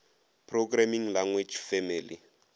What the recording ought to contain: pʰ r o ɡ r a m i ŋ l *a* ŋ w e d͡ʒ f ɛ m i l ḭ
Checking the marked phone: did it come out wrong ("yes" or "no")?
no